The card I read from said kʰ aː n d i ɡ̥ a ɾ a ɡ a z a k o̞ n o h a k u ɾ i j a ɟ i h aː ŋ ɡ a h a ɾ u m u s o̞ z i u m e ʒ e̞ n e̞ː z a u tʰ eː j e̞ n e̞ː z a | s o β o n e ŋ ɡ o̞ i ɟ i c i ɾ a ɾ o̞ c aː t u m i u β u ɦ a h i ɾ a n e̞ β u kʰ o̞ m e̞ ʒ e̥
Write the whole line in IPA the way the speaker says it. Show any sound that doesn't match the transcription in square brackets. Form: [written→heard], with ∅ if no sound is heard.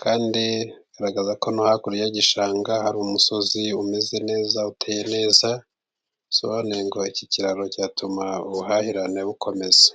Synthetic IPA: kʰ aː n d i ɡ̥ a ɾ a ɡ a z a k o̞ n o h a k u ɾ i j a ɟ i [h→ʃ] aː ŋ ɡ a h a ɾ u m u s o̞ z i u m e [ʒ→z] e̞ n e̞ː z a u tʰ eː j e̞ n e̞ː z a | s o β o n e ŋ ɡ o̞ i [ɟ→c] i c i ɾ a ɾ o̞ c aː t u m [i→a] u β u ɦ a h i ɾ a n e̞ β u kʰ o̞ m e̞ [ʒ→z] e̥